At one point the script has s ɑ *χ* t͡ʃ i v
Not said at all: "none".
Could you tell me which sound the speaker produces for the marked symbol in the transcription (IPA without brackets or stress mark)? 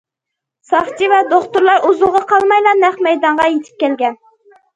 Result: χ